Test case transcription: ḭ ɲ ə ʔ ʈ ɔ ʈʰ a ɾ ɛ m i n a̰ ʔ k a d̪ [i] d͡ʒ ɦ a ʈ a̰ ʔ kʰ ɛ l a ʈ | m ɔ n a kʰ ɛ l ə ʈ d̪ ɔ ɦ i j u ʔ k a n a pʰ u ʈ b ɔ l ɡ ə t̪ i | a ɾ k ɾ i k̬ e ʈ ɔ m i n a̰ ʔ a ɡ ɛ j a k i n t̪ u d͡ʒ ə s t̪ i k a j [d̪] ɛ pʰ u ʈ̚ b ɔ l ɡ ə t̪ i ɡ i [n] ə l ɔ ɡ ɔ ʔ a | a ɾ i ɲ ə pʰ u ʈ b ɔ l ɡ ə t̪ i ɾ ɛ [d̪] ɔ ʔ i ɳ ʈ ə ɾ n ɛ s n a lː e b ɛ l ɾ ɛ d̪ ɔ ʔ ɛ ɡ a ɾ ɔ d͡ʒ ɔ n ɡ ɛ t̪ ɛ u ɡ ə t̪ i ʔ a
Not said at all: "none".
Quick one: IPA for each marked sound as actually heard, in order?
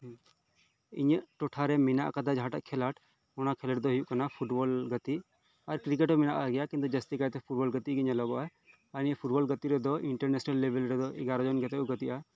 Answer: a, t̪, ɲ, d̪

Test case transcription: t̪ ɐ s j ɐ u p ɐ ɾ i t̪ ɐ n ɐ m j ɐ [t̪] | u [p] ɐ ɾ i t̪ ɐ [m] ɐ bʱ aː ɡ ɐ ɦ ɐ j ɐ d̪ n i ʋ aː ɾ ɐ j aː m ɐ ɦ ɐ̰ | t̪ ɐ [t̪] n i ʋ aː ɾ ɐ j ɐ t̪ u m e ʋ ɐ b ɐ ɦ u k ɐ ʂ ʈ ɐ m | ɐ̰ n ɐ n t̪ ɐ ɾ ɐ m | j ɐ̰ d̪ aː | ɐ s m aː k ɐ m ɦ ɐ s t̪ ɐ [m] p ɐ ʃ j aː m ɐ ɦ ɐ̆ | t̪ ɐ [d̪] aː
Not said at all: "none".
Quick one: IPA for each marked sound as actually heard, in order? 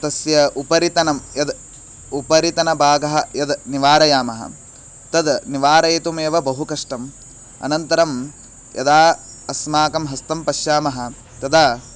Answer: d̪, p, n, d̪, m, d̪

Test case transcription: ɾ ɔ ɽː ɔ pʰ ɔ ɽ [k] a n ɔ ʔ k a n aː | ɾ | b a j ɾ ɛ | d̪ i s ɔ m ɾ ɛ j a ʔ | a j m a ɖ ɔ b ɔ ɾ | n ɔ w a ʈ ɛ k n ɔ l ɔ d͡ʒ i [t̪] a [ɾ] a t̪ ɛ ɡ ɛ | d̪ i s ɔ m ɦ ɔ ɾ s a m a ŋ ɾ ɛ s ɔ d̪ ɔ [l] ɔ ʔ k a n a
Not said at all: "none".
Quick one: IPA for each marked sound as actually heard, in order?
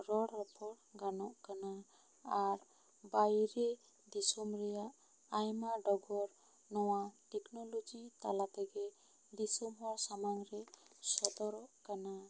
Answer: ɡ, t̪, l, ɾ

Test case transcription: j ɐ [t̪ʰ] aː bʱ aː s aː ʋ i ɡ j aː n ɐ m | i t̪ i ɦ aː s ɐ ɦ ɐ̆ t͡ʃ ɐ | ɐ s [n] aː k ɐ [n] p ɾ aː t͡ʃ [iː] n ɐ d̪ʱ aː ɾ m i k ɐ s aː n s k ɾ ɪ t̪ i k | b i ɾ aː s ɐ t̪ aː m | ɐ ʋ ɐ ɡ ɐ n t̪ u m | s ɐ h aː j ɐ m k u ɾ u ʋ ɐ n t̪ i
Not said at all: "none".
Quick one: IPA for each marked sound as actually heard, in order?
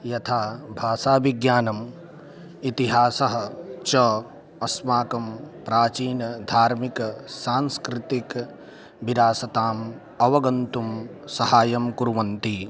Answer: t̪ʰ, m, m, iː

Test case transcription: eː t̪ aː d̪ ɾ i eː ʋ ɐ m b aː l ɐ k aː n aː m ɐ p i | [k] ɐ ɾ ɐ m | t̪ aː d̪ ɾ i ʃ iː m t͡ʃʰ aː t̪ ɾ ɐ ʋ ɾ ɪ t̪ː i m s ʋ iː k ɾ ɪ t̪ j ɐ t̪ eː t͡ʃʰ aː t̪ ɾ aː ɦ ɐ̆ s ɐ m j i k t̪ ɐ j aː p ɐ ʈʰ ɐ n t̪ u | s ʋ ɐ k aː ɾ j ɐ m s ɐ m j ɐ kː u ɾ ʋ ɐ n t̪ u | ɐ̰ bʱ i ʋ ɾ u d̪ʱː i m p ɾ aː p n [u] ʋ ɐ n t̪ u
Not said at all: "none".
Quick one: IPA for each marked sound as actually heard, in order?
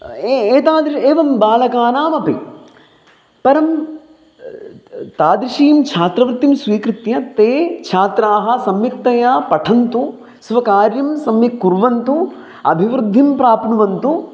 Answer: p, u

